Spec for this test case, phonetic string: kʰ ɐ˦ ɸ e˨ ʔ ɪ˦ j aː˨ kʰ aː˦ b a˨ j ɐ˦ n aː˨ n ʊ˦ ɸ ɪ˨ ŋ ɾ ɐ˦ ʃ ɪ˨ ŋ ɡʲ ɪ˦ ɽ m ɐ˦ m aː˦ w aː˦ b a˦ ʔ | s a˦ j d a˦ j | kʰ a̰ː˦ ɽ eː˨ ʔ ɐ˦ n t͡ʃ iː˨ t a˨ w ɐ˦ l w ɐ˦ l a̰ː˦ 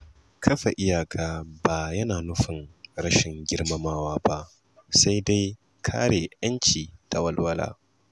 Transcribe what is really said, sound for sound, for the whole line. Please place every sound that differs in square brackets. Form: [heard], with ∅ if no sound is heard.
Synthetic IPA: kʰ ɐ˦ ɸ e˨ ʔ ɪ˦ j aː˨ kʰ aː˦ b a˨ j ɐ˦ n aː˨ n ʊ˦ ɸ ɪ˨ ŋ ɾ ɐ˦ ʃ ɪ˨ ŋ ɡʲ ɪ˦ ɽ m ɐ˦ m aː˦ w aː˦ b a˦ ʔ | s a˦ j d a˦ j | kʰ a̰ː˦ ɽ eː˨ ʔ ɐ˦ n t͡ʃ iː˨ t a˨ w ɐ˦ l w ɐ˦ l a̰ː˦